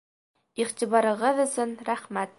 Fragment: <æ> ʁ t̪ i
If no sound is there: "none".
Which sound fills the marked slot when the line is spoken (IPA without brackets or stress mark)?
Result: i